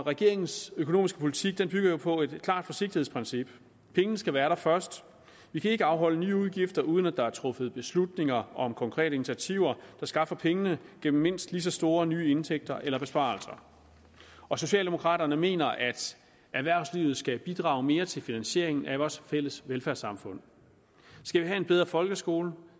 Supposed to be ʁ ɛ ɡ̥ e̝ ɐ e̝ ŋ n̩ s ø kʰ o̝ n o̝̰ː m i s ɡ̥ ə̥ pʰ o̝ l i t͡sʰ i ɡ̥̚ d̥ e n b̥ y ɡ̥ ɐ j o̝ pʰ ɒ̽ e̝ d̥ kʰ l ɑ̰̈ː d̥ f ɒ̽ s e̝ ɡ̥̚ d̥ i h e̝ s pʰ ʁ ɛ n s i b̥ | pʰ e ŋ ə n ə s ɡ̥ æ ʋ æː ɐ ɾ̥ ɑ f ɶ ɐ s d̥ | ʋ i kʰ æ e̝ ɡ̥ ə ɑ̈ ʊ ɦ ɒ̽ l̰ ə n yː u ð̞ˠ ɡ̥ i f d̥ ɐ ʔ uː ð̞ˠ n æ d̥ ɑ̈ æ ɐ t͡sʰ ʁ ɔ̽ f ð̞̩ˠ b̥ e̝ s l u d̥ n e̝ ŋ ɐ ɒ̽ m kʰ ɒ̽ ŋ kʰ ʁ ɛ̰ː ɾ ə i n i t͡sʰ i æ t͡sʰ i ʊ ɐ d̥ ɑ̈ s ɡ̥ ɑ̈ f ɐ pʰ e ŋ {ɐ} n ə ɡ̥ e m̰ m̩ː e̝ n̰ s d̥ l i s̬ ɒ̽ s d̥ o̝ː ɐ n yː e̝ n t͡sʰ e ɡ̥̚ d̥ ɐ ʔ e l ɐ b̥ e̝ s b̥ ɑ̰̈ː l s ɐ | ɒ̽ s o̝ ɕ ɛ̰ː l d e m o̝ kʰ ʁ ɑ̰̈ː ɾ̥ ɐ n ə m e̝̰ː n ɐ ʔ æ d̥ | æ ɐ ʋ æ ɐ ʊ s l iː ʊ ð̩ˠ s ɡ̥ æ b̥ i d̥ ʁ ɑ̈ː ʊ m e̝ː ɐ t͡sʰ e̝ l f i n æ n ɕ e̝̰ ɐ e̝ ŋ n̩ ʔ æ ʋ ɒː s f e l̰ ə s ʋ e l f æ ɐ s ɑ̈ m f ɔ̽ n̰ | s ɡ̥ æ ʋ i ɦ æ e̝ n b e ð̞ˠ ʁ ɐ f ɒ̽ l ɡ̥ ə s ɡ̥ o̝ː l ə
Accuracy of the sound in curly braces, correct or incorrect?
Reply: incorrect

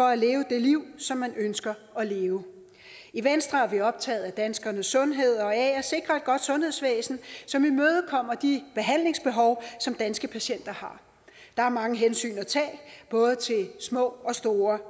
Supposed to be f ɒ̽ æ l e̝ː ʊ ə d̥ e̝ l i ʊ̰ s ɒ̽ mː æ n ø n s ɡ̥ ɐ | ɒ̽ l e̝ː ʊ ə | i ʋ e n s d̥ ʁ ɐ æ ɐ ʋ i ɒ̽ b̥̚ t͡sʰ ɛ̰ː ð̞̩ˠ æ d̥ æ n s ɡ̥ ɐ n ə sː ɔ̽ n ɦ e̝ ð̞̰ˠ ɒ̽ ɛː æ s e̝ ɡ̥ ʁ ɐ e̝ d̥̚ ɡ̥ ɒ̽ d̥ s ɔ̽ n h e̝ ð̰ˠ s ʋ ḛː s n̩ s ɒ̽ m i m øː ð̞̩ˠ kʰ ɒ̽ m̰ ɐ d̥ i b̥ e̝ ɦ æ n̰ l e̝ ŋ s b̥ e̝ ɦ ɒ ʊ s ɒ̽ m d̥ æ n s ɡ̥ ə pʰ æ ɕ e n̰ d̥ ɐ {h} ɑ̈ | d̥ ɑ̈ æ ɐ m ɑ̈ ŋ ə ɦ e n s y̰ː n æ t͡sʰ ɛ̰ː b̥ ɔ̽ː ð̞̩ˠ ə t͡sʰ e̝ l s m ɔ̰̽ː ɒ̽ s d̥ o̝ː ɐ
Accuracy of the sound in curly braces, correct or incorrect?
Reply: correct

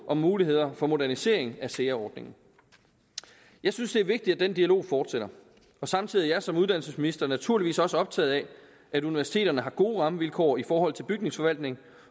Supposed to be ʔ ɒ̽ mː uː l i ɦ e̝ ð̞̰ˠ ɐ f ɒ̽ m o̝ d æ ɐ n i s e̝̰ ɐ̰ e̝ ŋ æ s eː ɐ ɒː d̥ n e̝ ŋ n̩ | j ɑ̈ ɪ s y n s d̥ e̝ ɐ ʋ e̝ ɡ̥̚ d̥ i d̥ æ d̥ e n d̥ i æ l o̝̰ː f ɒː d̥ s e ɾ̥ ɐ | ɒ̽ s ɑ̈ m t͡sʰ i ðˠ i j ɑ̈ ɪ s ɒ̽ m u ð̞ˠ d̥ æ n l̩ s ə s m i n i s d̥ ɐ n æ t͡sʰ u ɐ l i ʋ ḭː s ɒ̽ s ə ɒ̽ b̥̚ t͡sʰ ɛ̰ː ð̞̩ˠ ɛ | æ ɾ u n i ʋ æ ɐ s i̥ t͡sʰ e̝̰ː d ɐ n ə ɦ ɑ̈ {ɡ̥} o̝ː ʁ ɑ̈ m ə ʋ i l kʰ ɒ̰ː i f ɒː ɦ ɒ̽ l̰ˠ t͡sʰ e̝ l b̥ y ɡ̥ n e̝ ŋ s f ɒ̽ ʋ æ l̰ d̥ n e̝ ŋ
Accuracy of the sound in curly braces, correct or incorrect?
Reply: correct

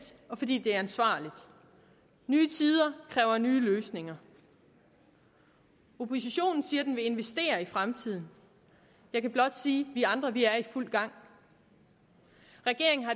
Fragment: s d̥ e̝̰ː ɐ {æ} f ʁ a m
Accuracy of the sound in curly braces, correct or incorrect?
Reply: incorrect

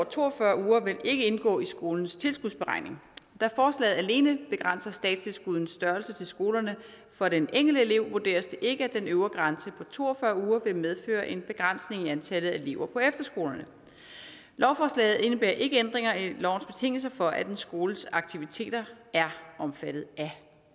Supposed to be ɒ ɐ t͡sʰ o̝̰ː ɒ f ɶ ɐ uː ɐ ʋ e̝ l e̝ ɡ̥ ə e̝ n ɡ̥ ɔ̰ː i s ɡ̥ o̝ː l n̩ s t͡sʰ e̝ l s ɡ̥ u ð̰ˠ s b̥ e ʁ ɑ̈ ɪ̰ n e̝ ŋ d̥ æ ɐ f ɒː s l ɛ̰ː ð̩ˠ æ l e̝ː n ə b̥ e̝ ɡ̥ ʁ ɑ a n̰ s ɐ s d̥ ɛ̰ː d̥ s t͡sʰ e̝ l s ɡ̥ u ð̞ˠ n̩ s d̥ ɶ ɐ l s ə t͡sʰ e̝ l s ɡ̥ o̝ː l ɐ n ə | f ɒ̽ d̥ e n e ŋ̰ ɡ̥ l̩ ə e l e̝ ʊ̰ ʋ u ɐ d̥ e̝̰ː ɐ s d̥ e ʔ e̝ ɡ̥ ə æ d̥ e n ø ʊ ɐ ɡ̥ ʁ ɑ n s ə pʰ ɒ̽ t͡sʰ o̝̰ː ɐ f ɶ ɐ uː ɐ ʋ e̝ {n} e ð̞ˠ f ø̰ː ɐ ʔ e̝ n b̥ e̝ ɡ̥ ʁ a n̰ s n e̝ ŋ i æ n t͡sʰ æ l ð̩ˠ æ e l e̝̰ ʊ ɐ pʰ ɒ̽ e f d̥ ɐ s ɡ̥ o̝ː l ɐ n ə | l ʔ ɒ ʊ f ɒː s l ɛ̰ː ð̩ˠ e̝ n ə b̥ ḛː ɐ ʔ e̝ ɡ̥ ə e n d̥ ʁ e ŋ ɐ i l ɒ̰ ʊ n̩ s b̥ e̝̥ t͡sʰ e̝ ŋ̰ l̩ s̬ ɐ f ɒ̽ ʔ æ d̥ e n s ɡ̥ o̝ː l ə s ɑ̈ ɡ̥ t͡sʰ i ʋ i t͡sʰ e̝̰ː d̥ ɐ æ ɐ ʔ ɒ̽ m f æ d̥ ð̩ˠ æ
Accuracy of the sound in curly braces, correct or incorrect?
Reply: incorrect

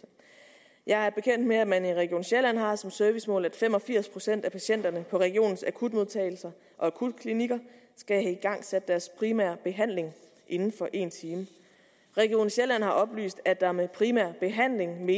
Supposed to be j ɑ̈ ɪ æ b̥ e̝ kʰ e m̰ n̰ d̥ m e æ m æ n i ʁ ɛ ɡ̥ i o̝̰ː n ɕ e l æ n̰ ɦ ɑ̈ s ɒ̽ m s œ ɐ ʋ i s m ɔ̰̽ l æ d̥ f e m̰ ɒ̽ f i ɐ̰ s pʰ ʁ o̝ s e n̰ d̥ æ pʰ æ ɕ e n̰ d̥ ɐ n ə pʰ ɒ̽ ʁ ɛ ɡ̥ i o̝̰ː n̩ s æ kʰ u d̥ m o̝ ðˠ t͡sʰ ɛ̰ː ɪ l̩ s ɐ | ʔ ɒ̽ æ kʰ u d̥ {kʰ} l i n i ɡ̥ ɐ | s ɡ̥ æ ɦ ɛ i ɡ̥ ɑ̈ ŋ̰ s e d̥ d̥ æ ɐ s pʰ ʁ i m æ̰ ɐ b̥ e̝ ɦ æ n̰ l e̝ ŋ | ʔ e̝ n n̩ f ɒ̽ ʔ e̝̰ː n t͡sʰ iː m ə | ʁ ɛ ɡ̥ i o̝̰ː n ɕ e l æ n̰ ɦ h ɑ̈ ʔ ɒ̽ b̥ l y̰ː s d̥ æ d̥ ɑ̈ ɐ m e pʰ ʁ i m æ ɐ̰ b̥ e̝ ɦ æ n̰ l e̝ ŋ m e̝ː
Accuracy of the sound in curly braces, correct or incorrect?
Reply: correct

